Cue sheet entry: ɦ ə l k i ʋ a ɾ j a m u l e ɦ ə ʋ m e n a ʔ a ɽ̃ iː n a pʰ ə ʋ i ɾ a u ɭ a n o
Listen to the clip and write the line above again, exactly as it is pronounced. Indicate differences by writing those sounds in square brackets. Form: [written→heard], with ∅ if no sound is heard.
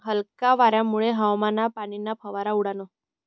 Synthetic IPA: ɦ ə l k [i→a] ʋ a ɾ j a m u [l→ɭ] e ɦ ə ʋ m [e→a] n a [ʔ→p] a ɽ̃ [iː→i] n a pʰ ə ʋ [i→a] ɾ a u [ɭ→ɽ] a n o